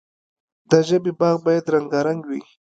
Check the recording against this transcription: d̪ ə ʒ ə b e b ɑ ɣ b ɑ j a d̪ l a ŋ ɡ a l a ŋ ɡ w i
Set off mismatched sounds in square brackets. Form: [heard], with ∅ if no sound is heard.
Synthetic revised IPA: d̪ ə ʒ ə b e b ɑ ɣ b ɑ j a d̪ [ɾ] a ŋ ɡ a [ɾ] a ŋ ɡ w i